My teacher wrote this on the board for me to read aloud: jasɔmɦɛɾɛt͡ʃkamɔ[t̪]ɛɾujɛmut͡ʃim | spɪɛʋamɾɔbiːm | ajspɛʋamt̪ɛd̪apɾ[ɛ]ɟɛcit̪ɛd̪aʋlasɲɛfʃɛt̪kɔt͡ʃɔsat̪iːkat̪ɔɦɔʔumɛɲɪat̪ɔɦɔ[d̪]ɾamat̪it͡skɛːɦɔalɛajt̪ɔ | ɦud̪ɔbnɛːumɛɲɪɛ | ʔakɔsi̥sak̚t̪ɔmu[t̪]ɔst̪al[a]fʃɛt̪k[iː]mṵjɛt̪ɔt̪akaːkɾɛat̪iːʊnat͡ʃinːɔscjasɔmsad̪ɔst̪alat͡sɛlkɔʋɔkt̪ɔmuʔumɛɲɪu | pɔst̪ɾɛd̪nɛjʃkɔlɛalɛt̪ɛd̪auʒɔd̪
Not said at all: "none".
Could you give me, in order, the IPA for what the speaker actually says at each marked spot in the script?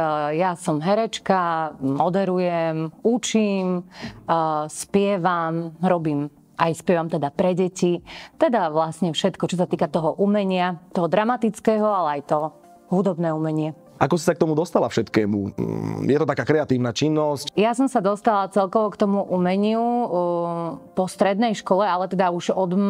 d̪, ɛ, d̪, d̪, a, ɛː

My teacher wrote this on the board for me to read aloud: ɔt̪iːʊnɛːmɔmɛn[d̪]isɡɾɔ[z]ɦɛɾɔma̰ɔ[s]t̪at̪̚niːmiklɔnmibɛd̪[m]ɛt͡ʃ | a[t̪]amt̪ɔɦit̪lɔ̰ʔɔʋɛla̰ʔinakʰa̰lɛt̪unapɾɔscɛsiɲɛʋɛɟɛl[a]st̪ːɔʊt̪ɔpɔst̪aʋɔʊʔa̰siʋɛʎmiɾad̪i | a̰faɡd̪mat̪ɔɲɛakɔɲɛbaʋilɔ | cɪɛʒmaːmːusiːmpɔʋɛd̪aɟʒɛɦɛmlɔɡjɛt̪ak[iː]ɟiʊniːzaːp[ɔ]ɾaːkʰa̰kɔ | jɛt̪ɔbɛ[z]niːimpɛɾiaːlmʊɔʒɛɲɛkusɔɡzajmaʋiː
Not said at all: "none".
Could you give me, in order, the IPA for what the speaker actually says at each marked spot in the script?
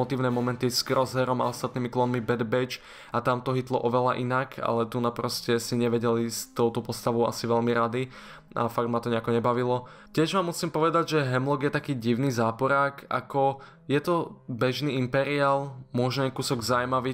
t̪, z, s, b, t̪, i, iː, ɔ, ʒ

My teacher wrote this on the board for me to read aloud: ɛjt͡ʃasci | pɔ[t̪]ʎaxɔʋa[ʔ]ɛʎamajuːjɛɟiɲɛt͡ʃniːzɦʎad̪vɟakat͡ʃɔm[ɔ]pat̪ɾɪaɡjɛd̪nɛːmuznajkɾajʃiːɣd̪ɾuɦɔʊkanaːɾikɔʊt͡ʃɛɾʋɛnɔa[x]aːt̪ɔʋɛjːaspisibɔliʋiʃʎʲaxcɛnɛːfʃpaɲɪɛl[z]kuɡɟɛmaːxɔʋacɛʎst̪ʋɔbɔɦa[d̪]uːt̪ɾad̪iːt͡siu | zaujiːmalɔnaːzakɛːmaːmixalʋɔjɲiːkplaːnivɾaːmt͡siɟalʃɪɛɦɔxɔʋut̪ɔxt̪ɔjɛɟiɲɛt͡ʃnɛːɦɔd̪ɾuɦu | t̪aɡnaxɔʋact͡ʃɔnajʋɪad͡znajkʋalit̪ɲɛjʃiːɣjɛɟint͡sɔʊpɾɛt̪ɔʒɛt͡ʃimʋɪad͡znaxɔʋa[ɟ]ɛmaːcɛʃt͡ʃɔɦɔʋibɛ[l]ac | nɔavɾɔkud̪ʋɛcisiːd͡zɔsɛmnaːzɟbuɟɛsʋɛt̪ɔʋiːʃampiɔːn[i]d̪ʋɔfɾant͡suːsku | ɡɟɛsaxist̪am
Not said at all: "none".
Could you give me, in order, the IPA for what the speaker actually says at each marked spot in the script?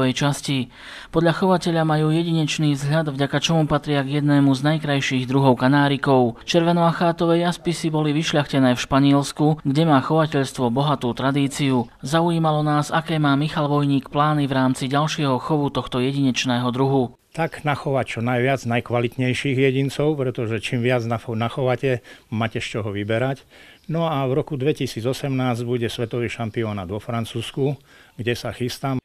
d̪, c, u, x, s, t̪, c, ɾ, a

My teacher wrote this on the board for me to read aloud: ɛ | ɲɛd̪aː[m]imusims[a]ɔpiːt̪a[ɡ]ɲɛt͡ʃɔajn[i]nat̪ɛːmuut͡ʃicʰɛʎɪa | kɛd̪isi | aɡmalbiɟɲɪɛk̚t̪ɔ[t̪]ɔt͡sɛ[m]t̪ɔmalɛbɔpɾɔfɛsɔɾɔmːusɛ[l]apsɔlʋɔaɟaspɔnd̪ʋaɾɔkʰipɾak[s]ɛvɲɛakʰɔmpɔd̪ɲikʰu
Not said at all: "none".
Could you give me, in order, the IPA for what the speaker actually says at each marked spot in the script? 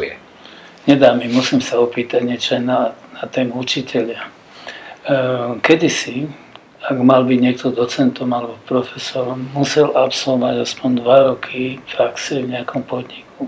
m, a, ɟ, a, d̪, n, l, s

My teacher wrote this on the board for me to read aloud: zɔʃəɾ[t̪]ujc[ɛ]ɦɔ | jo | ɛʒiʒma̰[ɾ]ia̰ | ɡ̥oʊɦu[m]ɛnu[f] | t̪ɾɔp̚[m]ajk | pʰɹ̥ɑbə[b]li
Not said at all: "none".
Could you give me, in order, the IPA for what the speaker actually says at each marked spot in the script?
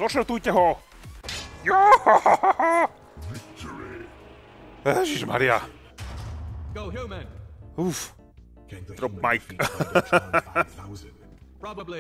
t̪, ɛ, ɾ, m, f, m, b

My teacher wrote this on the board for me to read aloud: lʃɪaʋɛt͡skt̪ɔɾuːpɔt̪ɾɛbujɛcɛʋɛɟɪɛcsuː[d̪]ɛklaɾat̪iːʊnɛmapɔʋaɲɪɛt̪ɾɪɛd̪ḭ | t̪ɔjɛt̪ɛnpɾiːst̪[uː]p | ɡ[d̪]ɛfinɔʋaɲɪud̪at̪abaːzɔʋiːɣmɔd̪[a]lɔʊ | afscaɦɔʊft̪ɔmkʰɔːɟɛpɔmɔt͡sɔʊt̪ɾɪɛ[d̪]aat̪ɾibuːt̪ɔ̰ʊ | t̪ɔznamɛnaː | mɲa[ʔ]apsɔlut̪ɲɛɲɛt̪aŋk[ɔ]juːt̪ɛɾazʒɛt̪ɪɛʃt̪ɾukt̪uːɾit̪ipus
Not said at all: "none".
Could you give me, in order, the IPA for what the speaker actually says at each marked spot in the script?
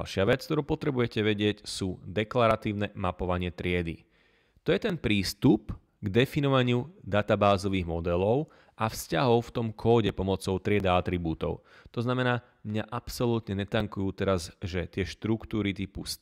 d̪, u, d̪, ɛ, d̪, ʔ, u

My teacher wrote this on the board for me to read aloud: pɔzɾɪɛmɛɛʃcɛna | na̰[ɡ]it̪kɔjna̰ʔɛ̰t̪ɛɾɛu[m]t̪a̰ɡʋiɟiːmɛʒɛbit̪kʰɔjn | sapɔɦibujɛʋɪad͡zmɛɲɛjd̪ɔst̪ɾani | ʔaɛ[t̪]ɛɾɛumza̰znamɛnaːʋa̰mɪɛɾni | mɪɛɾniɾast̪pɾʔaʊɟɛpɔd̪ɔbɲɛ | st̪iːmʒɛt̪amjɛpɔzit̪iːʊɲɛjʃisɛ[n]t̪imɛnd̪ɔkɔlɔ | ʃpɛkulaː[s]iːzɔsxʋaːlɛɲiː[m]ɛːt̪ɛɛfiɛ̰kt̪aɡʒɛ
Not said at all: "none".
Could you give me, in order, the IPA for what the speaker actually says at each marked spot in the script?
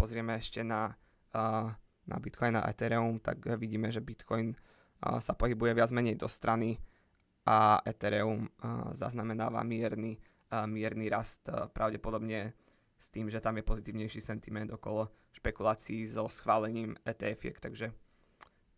b, m, t̪, n, t͡s, m

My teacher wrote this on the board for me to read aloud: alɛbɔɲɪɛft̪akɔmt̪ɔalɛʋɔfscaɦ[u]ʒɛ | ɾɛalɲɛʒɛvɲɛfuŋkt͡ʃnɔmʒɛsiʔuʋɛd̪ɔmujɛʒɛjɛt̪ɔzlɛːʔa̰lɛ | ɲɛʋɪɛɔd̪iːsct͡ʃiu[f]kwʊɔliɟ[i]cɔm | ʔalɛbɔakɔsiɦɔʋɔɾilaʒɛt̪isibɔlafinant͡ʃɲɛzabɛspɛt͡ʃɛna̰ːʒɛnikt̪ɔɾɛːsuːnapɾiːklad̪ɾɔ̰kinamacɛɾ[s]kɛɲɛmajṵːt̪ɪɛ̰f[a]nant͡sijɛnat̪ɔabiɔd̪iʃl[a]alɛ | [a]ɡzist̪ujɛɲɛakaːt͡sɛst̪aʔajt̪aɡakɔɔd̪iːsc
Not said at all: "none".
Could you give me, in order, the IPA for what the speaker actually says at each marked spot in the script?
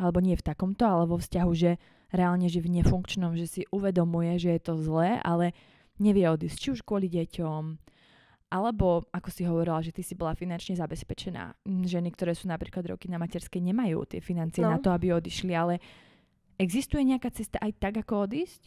u, ʃ, ɛ, s, i, i, ɛ

